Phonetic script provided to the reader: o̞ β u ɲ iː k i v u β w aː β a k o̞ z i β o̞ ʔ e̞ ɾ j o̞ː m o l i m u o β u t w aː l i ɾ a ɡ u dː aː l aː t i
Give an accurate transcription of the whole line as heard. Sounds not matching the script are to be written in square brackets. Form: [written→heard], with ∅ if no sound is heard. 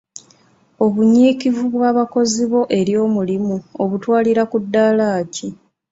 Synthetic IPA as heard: o̞ β u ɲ iː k i v u β w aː β a k o̞ z i β o̞ ʔ e̞ ɾ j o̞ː m [o→u] l i m u o β u t w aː l i ɾ a [ɡ→k] u dː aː l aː [t→c] i